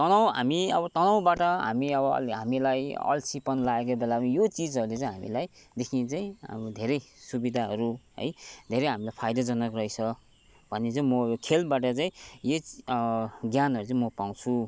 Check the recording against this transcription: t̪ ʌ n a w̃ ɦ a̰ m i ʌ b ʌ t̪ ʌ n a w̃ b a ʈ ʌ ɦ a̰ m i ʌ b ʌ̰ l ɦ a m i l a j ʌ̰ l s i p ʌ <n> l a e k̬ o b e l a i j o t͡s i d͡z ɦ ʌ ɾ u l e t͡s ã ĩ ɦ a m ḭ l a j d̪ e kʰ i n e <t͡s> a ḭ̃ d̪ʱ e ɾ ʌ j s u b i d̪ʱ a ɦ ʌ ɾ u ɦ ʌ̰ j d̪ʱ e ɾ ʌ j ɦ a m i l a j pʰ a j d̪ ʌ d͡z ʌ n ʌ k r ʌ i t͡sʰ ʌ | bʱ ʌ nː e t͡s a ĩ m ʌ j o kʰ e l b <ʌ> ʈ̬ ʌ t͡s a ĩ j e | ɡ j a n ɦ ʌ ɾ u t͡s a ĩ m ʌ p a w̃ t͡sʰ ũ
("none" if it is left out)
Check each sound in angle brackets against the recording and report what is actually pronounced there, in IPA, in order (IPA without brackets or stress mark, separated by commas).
n, t͡s, a